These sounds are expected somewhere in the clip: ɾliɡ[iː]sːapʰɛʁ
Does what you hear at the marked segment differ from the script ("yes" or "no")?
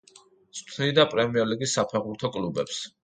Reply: yes